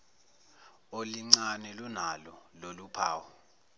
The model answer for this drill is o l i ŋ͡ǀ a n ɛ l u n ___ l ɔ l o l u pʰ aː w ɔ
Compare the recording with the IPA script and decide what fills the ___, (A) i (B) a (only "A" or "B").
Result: B